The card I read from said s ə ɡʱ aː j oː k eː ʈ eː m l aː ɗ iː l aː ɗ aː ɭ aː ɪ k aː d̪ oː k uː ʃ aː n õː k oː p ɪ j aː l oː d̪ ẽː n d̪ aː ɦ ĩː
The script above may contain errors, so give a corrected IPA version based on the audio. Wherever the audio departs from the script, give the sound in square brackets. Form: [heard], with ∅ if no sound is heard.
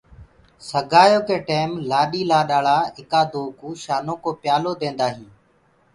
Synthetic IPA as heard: s ə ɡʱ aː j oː k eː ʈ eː m l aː ɗ iː l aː ɗ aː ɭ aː ɪ k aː d̪ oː k uː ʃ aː n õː k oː p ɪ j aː l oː d̪ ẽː n d̪ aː ɦ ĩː